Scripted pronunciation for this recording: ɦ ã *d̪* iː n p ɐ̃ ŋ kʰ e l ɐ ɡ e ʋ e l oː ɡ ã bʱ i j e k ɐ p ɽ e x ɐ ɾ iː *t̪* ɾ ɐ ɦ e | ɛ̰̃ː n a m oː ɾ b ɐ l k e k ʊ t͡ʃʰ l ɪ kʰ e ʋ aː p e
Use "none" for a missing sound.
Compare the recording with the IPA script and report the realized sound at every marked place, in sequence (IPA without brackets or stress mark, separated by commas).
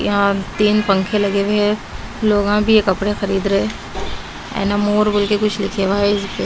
t̪, d̪